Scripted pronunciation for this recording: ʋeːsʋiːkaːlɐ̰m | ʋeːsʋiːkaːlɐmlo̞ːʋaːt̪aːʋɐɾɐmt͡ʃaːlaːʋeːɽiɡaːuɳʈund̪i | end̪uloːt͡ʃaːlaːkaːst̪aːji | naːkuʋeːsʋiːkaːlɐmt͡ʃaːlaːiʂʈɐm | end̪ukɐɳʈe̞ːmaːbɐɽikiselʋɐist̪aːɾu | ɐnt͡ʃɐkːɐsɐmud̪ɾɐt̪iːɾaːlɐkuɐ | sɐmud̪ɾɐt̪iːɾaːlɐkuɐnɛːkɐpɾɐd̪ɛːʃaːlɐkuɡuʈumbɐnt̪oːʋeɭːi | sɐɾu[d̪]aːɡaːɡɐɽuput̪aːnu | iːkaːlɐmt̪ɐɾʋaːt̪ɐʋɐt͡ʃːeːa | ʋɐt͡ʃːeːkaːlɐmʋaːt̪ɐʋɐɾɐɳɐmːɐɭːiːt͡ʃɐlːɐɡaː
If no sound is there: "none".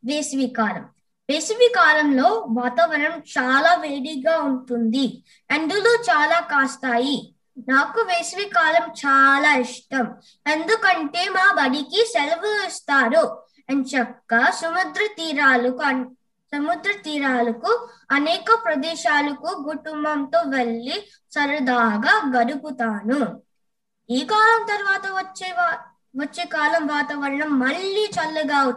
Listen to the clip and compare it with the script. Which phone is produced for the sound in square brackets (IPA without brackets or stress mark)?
d̪